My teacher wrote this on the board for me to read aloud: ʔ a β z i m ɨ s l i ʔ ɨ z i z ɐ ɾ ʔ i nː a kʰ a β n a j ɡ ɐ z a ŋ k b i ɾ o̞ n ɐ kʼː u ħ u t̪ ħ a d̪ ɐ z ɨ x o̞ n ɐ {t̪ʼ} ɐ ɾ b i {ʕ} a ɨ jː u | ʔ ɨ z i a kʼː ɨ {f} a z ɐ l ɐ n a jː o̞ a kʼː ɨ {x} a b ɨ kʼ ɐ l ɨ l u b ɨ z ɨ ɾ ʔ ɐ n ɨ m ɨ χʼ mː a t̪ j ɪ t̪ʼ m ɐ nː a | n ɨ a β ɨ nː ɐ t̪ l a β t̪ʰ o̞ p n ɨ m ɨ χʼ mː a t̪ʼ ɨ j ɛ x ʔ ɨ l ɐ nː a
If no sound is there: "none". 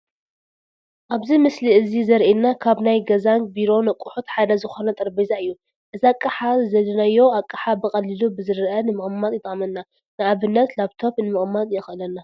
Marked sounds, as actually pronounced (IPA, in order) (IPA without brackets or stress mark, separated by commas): t̪ʼ, z, ħ, ħ